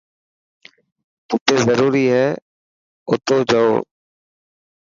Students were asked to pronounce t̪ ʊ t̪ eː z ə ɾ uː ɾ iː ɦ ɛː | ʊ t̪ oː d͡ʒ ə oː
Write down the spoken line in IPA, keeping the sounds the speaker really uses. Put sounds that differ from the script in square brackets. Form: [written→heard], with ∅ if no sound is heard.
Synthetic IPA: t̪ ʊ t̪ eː z ə ɾ uː ɾ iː ɦ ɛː | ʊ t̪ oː d͡ʒ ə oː